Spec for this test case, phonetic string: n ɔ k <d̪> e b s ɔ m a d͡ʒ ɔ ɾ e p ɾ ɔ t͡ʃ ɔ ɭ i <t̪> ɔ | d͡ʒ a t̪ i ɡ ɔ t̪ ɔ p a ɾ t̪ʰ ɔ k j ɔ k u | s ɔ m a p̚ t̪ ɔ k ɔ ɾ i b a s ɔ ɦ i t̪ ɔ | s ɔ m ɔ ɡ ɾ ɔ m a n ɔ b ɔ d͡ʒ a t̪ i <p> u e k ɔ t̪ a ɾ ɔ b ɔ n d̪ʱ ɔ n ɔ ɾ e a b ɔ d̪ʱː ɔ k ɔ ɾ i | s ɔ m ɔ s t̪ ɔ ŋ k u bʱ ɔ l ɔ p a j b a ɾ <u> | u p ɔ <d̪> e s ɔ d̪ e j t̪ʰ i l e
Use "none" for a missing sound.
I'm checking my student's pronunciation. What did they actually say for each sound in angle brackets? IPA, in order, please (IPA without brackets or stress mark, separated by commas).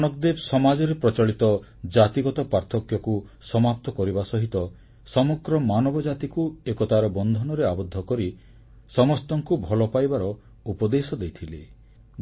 d̪, t̪, k, ɔ, d̪